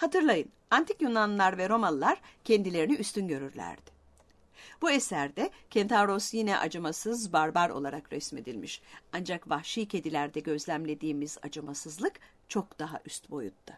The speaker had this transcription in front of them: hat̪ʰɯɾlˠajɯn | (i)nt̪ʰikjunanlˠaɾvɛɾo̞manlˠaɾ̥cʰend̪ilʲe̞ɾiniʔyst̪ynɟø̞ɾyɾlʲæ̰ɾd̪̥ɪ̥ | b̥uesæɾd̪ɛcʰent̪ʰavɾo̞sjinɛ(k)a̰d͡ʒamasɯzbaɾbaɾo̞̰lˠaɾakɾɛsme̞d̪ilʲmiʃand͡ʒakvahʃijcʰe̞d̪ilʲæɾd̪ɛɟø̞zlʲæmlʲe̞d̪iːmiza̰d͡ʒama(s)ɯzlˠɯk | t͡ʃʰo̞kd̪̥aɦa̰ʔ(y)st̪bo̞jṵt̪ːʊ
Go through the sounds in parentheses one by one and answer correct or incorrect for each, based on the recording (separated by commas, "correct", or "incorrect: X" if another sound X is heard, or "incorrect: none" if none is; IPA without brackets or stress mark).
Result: incorrect: a, incorrect: ʔ, correct, correct